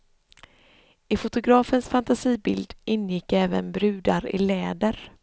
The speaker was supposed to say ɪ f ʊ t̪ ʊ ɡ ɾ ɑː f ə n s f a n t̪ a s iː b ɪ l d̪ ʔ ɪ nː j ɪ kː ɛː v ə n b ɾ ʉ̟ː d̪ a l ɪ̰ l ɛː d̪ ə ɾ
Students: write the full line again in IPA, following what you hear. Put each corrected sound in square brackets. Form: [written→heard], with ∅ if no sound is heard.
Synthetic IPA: ɪ f ʊ t̪ ʊ ɡ ɾ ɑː f ə n s f a n t̪ a s iː b ɪ l d̪ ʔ ɪ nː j ɪ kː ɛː v ə n b ɾ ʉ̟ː d̪ a [l→ɾ] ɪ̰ l ɛː d̪ ə ɾ